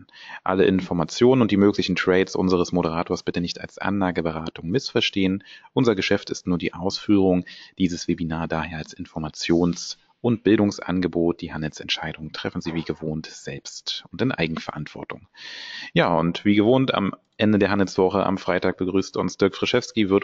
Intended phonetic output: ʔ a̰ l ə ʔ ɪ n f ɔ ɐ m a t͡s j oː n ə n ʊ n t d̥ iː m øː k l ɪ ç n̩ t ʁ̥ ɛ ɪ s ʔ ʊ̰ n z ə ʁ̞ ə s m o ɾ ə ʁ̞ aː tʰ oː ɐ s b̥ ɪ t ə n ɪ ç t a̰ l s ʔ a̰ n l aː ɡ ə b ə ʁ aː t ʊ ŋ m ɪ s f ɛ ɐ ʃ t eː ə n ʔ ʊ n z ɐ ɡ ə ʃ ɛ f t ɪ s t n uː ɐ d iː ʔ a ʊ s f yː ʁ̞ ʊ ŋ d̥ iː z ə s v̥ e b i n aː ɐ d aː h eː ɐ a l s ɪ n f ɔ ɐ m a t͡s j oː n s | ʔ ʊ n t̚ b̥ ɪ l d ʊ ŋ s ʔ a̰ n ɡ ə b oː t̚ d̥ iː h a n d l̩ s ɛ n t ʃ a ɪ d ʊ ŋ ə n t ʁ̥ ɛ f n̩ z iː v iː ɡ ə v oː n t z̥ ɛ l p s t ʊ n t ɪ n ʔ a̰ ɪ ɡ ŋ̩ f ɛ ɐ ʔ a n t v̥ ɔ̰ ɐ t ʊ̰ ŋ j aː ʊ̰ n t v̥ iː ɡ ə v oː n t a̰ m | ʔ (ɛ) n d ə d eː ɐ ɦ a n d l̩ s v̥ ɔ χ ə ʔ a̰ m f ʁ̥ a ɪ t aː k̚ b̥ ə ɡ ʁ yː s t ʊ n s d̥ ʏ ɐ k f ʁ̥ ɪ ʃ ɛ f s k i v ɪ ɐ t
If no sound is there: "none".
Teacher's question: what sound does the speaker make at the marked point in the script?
ɛ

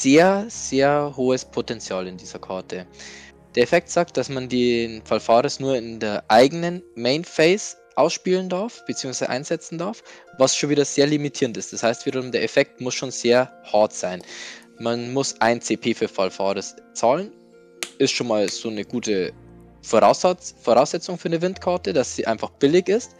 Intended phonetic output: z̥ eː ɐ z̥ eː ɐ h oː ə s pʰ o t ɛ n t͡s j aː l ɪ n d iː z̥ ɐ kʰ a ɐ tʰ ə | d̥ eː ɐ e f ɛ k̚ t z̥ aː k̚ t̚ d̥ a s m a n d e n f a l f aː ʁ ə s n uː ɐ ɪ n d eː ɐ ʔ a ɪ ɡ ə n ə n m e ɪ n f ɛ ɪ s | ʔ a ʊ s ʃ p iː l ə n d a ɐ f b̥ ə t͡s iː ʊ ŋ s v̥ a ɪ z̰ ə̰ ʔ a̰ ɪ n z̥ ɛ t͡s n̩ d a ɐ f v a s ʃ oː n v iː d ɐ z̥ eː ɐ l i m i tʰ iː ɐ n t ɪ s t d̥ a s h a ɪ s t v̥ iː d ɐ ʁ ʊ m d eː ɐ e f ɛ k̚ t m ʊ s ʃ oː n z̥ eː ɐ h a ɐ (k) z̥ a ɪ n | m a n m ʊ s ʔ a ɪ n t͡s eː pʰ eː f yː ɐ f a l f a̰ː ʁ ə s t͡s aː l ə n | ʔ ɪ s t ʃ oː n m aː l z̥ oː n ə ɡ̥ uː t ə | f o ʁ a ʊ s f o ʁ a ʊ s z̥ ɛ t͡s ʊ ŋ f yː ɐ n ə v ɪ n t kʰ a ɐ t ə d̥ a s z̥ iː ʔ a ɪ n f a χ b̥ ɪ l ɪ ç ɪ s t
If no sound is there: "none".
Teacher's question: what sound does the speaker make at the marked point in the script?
t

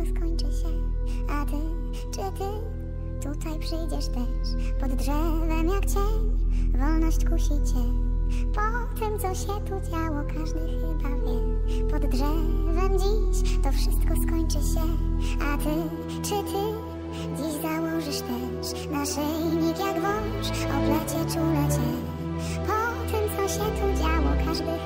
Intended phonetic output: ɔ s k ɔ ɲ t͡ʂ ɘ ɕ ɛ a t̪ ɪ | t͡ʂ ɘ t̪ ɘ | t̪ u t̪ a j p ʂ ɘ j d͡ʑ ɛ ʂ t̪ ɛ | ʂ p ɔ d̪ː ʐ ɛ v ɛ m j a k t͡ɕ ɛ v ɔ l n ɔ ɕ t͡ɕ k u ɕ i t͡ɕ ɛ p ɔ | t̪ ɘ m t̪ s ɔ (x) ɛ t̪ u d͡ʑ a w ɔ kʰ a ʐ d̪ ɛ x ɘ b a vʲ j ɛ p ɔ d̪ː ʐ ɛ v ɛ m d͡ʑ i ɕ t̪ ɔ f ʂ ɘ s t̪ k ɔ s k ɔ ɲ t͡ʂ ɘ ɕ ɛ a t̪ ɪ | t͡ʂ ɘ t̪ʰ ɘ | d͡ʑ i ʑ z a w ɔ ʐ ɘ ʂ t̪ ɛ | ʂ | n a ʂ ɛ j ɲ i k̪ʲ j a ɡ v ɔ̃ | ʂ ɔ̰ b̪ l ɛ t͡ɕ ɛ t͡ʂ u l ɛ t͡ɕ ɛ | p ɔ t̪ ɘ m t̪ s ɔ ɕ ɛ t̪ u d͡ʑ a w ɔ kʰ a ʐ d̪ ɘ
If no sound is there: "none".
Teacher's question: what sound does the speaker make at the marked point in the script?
ɕ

